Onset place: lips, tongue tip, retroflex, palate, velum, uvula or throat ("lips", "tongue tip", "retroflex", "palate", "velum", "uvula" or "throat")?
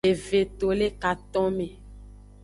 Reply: lips